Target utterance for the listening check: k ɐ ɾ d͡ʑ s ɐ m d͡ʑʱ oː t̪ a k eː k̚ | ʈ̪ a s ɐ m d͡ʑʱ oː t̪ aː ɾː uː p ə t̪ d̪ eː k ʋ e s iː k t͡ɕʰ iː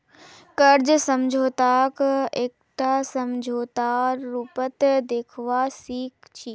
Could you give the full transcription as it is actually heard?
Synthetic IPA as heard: k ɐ ɾ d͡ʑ s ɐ m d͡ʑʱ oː t̪ a k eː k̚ | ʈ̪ a s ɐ m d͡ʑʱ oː t̪ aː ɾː uː p ə t̪ d̪ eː kʰ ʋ a s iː k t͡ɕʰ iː